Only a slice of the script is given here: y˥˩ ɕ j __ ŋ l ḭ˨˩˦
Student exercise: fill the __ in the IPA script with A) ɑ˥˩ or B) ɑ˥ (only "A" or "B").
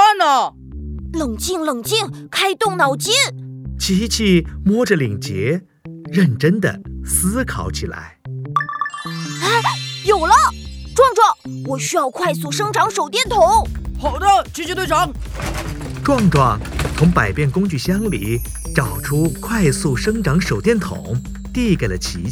B